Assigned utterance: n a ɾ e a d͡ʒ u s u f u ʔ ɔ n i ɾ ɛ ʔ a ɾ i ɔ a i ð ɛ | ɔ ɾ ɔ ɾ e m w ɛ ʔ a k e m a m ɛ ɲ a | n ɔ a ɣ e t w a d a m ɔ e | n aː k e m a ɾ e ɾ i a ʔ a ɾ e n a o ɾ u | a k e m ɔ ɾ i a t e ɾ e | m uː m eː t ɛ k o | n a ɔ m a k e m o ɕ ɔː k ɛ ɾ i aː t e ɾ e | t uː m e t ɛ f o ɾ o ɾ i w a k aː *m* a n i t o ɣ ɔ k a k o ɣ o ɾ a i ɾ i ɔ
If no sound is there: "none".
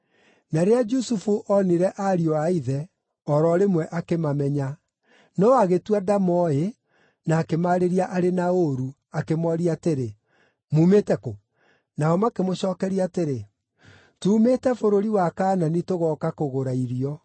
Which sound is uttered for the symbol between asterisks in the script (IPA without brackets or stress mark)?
n